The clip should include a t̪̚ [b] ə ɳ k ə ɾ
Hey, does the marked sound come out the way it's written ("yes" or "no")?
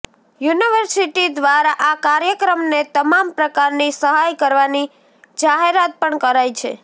no